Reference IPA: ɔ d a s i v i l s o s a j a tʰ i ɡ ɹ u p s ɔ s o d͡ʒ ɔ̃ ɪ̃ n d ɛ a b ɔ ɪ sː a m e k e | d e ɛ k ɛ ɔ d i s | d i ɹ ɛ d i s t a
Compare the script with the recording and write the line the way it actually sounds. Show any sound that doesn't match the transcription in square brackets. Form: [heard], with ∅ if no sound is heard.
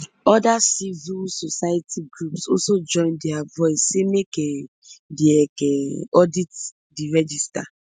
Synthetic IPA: ɔ d a s i v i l s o s a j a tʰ i ɡ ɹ u p s ɔ s o d͡ʒ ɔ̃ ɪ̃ n d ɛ a [v] ɔ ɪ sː [e] m e k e | d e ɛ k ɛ ɔ d i [t] | d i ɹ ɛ [d͡ʒ] i s t a